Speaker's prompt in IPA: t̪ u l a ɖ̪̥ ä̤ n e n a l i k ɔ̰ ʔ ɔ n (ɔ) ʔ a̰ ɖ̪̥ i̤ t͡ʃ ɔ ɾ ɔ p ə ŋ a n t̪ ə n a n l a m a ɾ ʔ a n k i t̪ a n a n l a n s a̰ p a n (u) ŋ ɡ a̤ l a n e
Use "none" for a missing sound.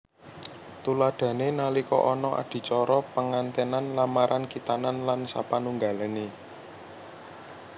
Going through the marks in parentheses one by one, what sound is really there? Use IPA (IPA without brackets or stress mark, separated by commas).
ɔ, u